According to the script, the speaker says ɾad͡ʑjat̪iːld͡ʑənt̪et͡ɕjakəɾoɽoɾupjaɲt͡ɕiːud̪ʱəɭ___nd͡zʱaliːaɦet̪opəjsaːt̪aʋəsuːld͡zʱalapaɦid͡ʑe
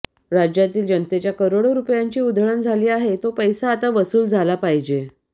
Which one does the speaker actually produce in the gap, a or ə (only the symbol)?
ə